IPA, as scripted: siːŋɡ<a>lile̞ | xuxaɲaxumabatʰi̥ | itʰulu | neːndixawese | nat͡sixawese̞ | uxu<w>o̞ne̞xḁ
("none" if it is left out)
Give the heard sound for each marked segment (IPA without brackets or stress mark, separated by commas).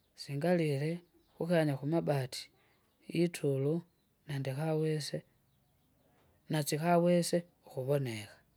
a, β